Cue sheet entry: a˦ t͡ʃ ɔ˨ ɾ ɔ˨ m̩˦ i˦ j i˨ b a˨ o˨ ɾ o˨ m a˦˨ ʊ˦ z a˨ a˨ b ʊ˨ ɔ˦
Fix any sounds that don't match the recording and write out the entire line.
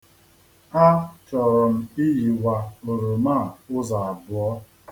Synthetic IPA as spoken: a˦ t͡ʃ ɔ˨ ɾ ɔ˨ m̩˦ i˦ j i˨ w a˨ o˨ ɾ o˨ m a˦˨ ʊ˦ z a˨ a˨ b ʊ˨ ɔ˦